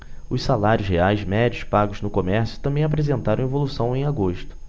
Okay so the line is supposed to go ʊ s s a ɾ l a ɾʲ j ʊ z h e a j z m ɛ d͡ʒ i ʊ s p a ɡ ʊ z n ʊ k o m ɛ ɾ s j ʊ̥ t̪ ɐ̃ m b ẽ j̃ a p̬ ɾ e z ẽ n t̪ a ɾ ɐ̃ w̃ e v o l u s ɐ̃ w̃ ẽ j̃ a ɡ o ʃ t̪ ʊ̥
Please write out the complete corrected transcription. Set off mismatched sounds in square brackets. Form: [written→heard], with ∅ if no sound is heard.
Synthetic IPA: ʊ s s a [ɾ→∅] l a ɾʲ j ʊ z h e a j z m ɛ d͡ʒ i ʊ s p a ɡ ʊ z n ʊ k o m ɛ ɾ s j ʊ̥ t̪ ɐ̃ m b ẽ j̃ a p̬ ɾ e z ẽ n t̪ a ɾ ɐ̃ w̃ e v o l u s ɐ̃ w̃ ẽ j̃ a ɡ o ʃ t̪ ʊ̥